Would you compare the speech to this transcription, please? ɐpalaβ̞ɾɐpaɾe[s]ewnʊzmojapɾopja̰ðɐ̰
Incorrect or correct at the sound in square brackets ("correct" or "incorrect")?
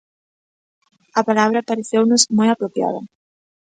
incorrect